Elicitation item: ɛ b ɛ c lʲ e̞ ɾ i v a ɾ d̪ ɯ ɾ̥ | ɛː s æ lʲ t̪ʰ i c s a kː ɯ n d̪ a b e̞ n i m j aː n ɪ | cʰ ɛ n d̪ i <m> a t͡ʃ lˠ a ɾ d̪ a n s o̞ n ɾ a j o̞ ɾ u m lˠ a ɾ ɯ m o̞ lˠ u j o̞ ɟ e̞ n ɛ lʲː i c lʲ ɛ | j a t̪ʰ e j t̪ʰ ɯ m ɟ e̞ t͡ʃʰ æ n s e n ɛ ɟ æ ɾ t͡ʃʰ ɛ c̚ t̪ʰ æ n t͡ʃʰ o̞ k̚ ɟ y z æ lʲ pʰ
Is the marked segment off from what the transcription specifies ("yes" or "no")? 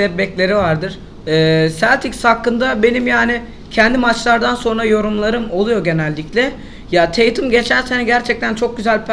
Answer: no